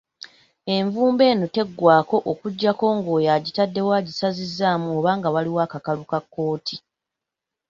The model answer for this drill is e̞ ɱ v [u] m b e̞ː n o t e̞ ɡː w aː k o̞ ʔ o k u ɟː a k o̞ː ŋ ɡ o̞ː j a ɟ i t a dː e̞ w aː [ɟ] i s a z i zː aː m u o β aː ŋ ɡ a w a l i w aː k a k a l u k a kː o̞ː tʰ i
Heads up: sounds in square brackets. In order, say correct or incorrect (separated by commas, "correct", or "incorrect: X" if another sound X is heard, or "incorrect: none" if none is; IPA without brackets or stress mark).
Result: incorrect: uː, correct